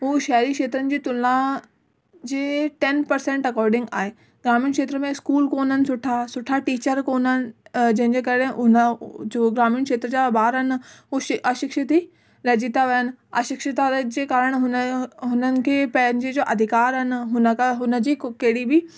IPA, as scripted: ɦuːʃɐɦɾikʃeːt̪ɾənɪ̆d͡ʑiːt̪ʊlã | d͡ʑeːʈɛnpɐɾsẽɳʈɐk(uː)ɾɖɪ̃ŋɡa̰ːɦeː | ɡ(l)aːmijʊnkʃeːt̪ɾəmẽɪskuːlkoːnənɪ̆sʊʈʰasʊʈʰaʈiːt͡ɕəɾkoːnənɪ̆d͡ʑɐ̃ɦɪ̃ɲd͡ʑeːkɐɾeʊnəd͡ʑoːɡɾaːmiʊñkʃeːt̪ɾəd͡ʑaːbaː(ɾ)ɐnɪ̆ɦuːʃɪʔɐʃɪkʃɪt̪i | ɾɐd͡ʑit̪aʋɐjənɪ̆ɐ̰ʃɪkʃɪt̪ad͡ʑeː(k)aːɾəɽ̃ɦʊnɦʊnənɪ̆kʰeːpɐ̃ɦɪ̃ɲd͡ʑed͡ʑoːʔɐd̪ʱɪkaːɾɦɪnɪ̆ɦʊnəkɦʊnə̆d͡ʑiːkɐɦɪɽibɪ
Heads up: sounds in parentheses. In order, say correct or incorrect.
incorrect: ɔː, incorrect: ɾ, correct, correct

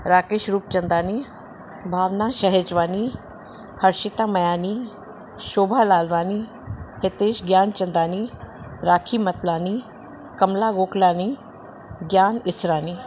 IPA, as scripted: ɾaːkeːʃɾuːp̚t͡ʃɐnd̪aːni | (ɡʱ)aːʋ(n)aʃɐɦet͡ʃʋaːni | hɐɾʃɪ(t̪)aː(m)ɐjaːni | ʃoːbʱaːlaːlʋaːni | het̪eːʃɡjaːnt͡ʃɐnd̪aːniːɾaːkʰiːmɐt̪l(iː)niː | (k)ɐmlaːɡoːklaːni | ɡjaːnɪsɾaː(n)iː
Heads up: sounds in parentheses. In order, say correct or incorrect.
incorrect: bʱ, correct, correct, correct, incorrect: aː, correct, correct

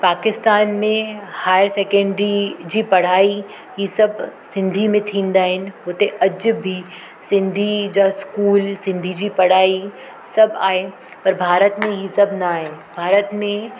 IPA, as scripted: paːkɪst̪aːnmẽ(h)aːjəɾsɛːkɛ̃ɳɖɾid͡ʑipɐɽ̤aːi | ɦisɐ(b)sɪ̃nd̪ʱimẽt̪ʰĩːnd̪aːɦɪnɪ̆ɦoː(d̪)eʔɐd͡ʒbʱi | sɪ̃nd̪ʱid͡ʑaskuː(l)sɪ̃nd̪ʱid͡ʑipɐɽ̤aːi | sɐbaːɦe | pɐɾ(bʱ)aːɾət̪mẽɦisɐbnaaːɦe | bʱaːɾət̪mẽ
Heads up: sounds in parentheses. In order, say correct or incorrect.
correct, correct, incorrect: t̪, correct, correct

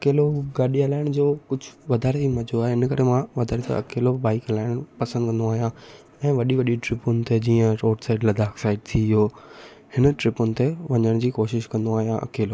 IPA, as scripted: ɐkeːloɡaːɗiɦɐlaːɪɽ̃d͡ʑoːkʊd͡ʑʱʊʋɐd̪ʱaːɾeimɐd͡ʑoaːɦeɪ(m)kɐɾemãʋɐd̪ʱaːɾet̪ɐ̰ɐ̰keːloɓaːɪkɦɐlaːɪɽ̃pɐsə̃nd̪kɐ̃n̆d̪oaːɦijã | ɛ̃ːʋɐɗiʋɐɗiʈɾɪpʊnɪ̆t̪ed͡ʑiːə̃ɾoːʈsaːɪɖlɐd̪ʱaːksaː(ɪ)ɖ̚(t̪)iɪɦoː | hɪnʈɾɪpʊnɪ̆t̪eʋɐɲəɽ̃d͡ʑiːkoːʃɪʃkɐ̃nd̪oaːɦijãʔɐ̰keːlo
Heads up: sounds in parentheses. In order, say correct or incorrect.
incorrect: n, correct, incorrect: t̪ʰ

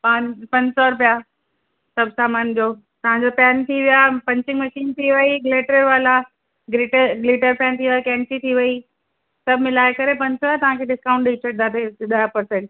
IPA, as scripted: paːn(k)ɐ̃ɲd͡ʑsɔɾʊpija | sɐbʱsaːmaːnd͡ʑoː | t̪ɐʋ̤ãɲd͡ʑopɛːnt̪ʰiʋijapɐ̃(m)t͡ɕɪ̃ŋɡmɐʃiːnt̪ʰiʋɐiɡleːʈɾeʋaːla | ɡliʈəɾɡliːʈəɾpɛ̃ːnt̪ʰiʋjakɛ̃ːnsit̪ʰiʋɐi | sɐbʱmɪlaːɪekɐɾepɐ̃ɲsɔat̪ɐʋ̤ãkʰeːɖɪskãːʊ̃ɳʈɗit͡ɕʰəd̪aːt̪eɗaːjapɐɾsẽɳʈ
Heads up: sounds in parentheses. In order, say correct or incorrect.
incorrect: p, incorrect: ɲ

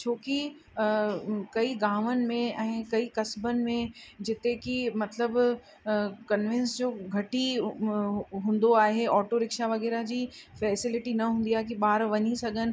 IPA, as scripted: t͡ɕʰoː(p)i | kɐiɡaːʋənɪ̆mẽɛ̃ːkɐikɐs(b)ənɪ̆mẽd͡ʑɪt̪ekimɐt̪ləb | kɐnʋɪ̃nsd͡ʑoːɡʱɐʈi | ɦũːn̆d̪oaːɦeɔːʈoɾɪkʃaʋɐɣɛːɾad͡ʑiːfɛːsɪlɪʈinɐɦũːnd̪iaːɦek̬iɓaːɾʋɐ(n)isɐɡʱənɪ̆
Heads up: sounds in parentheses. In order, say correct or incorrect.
incorrect: k, correct, incorrect: ɲ

